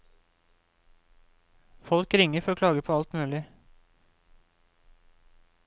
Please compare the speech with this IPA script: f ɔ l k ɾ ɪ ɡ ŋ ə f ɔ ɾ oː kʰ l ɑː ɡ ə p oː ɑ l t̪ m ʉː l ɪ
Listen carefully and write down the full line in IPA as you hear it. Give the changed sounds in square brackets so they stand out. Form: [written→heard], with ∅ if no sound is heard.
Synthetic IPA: f ɔ l k ɾ ɪ [ɡ→∅] ŋ ə f ɔ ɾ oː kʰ l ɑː ɡ ə [p→pʰ] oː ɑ l t̪ m ʉː l ɪ